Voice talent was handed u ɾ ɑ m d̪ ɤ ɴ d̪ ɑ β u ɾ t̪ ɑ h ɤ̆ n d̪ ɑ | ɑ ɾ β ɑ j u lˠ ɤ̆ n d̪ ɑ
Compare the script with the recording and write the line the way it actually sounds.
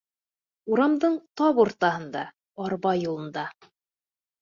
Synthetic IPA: u ɾ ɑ m d̪ ɤ ɴ t̪ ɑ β u ɾ t̪ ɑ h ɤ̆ n d̪ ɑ | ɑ ɾ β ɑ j u lˠ ɤ̆ n d̪ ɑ